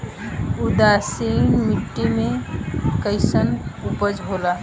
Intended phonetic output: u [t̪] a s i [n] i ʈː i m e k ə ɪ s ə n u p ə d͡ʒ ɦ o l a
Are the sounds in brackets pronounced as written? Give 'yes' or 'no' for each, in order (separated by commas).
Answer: no, no